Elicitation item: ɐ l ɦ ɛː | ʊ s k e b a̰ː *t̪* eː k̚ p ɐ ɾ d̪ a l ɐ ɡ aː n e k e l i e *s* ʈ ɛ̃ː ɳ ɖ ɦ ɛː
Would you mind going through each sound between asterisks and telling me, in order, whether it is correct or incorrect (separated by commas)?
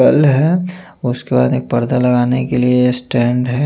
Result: incorrect, correct